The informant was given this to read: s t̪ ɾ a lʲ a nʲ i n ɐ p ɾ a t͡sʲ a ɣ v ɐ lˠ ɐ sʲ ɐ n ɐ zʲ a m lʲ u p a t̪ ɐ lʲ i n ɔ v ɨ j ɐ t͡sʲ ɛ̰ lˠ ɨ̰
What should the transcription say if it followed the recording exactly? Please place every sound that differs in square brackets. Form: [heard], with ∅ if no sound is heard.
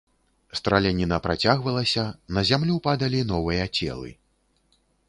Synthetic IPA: s t̪ ɾ a lʲ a nʲ i n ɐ p ɾ a t͡sʲ a ɣ v ɐ lˠ ɐ sʲ ɐ n ɐ zʲ a m lʲ u p a [d̪] ɐ lʲ i n ɔ v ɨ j ɐ t͡sʲ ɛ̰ lˠ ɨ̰